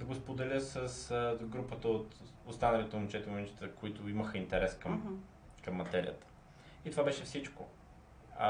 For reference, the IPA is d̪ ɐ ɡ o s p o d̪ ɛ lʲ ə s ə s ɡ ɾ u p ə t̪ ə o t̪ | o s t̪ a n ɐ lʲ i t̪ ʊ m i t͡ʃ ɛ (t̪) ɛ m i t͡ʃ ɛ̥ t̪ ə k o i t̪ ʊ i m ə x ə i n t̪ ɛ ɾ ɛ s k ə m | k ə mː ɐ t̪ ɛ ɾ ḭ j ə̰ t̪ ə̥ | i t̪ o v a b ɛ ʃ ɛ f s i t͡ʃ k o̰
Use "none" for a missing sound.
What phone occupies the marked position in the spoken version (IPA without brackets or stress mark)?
t̪